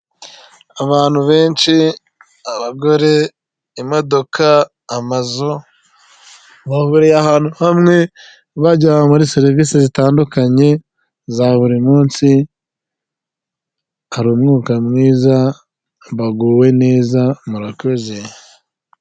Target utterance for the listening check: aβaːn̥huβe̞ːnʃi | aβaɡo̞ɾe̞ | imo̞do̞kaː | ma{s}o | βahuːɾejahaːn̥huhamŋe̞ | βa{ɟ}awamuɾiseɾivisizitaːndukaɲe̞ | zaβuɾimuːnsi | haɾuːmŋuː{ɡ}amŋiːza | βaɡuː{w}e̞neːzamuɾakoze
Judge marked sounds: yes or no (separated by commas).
no, yes, no, yes